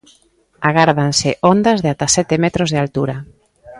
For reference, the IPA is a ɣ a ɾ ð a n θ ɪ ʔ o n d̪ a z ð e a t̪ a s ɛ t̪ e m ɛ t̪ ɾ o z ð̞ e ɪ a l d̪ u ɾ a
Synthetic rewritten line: a ɣ a ɾ ð a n s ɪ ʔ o n d̪ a z ð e a t̪ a s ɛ t̪ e m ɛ t̪ ɾ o z ð̞ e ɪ a l t̪ u ɾ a